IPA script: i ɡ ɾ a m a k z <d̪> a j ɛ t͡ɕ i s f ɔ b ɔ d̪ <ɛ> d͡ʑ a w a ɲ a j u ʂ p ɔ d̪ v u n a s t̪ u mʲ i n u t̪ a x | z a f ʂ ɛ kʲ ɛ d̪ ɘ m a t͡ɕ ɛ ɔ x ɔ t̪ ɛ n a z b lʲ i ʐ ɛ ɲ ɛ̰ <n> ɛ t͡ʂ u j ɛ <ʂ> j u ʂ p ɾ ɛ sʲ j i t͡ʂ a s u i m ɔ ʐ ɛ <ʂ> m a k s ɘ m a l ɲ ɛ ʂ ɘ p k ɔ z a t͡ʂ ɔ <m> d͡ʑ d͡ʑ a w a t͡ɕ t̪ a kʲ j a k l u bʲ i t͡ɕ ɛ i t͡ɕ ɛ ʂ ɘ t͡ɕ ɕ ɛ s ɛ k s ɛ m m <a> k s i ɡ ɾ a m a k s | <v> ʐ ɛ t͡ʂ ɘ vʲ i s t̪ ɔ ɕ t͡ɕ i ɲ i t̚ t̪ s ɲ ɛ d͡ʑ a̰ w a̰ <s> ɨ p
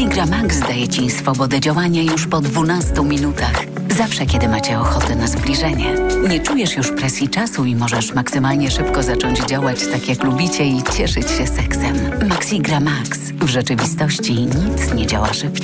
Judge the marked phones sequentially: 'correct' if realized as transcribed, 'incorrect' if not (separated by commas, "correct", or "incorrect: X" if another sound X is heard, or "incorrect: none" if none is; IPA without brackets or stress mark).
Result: correct, correct, incorrect: ɲ, correct, correct, incorrect: ɲ, correct, correct, incorrect: ʂ